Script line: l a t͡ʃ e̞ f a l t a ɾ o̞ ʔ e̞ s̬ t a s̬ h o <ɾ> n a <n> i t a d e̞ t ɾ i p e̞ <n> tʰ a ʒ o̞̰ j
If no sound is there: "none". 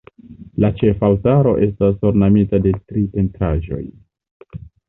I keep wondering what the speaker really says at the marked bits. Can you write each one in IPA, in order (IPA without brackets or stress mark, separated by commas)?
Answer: ɾ, m, n